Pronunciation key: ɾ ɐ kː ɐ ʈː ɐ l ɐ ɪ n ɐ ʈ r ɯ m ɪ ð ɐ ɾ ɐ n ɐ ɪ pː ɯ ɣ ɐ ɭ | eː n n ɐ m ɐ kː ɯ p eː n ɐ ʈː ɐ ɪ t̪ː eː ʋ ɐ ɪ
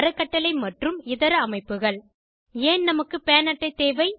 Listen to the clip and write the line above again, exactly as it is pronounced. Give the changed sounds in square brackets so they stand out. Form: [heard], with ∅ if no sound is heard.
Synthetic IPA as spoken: ɾ ɐ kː ɐ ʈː ɐ l ɐ ɪ [m] ɐ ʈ r ɯ m ɪ ð ɐ ɾ ɐ [m] ɐ ɪ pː ɯ ɣ ɐ ɭ | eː n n ɐ m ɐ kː ɯ p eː n ɐ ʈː ɐ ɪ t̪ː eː ʋ ɐ ɪ